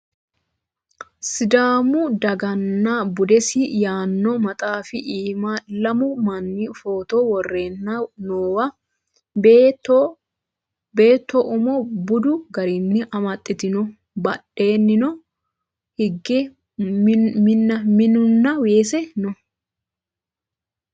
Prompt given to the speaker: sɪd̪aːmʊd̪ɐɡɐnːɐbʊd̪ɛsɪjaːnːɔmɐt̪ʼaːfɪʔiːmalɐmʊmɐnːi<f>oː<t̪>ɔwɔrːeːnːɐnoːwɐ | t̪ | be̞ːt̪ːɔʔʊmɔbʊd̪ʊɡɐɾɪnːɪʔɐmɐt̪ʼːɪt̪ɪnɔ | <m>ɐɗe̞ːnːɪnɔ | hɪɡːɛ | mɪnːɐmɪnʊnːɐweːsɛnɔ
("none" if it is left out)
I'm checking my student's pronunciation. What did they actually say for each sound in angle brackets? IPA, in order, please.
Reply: f, t̪, b

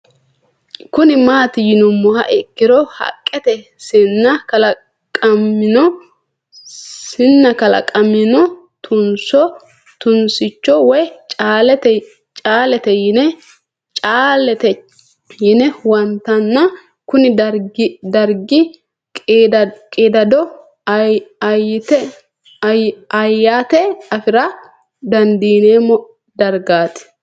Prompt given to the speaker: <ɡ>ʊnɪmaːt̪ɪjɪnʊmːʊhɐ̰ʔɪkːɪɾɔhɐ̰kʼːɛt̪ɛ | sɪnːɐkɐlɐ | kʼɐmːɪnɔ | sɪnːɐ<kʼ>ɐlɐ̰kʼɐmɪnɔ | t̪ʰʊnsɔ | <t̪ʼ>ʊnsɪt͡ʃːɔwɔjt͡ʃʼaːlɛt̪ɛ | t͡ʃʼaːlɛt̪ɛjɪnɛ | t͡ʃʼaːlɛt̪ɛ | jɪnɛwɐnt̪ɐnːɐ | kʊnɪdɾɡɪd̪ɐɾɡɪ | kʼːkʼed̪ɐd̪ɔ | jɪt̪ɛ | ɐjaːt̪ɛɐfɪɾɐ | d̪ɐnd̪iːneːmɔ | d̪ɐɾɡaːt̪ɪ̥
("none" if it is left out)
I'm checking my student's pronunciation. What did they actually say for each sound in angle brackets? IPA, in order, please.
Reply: k, k, t̪

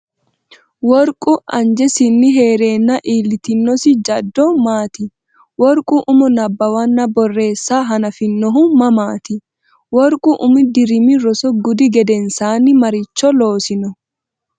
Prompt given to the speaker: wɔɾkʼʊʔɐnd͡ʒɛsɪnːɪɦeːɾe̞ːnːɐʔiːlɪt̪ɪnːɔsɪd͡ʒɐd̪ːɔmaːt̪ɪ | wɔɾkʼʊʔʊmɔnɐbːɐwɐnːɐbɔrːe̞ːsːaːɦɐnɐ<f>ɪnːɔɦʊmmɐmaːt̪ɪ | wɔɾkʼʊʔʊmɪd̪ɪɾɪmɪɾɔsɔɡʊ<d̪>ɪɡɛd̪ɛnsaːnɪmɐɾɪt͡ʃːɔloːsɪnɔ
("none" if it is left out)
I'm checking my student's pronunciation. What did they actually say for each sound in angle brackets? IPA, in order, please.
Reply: f, d̪

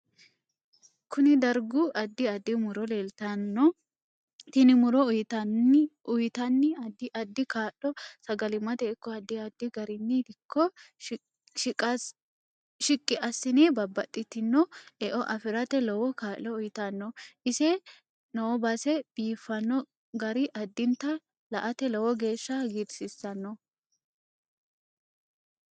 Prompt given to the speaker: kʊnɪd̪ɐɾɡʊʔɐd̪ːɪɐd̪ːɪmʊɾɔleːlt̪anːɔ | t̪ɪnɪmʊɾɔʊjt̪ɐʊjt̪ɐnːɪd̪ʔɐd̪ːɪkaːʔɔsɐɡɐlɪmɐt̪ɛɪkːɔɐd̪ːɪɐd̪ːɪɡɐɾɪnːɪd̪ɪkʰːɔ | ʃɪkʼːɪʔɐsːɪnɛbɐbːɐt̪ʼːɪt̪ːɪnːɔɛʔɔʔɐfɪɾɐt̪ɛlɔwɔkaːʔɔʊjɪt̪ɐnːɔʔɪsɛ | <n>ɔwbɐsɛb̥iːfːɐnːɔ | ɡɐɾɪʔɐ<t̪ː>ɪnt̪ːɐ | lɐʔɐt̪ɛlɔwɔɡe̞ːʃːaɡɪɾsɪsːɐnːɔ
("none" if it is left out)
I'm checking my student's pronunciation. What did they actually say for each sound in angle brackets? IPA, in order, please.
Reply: n, d̪ː

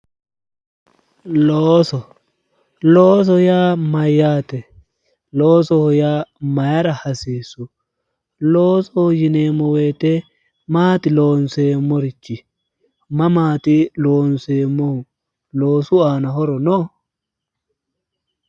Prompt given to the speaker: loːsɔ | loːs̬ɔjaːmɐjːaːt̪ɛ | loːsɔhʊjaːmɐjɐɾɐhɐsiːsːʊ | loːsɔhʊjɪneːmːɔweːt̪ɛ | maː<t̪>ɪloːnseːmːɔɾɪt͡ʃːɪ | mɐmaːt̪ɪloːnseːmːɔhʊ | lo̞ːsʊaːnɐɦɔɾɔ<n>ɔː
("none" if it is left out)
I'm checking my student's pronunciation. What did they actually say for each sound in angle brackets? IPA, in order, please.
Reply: t̪, n

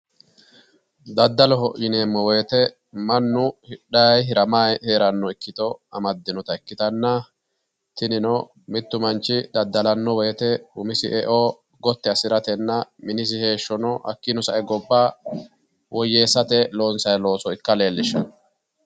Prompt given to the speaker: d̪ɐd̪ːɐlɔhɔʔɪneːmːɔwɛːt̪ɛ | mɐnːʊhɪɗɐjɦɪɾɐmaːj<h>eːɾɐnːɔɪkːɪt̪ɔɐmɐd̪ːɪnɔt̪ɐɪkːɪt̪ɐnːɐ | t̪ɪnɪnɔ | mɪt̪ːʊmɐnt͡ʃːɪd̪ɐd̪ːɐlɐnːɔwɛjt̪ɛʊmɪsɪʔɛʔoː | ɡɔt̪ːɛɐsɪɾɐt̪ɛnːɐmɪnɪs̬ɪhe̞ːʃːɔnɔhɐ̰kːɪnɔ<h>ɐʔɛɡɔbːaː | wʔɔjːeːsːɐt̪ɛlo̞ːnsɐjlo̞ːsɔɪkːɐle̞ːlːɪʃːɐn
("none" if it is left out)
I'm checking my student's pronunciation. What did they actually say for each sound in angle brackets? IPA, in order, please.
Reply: h, s

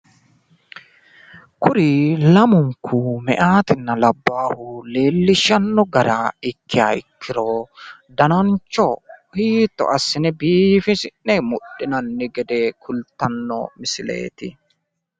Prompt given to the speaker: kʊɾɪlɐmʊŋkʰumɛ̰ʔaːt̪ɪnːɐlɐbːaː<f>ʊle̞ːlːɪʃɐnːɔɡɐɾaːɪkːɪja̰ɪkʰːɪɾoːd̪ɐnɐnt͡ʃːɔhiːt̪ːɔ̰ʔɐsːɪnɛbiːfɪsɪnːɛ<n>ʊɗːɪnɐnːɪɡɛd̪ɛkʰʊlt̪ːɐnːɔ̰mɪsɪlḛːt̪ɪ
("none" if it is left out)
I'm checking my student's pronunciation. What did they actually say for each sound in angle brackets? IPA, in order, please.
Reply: h, m

